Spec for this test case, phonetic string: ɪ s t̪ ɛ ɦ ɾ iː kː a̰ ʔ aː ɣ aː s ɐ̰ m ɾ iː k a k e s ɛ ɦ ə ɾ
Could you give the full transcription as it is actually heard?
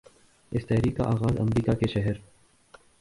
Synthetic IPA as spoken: ɪ s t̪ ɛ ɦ ɾ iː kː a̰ ʔ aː ɣ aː z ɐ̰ m ɾ iː k a k e ʃ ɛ ɦ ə ɾ